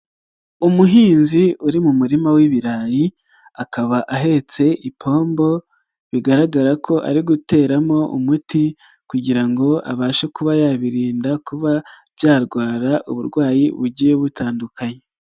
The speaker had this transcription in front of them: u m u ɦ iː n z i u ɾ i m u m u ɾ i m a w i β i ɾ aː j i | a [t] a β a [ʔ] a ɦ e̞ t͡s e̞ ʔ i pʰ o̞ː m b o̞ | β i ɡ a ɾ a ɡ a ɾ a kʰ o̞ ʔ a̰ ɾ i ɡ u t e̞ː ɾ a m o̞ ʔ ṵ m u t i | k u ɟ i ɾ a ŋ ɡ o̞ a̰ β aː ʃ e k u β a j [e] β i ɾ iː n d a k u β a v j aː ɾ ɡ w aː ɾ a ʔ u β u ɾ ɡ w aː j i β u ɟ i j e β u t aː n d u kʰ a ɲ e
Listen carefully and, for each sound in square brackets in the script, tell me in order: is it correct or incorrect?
incorrect: k, correct, incorrect: a

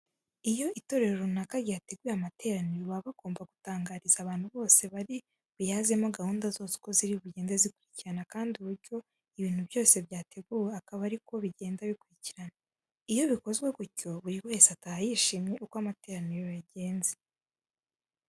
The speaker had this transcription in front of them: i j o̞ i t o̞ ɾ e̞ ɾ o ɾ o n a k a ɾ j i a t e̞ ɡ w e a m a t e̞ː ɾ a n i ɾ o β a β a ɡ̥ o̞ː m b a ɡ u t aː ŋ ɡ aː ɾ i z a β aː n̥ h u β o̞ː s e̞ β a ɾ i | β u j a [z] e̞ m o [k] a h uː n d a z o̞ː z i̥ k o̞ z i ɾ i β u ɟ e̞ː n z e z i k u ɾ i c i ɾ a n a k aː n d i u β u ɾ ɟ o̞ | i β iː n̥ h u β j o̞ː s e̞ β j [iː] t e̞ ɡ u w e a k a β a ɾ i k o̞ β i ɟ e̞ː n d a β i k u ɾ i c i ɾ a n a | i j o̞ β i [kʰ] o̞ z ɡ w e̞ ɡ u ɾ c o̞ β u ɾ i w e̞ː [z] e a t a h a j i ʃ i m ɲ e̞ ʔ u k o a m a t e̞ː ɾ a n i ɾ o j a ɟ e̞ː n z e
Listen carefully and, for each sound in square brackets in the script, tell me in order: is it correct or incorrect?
correct, incorrect: ɡ, incorrect: aː, incorrect: k, incorrect: s

